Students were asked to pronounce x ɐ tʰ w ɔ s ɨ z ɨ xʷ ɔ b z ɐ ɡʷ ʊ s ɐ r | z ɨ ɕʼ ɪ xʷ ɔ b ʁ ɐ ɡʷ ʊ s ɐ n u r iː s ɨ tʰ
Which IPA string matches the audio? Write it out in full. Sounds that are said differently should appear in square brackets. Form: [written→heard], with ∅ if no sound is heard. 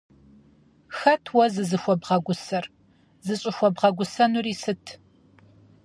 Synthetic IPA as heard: x ɐ tʰ w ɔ [s→z] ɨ z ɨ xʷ ɔ b [z→ʁ] ɐ ɡʷ ʊ s ɐ r | z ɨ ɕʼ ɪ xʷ ɔ b ʁ ɐ ɡʷ ʊ s ɐ n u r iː s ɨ tʰ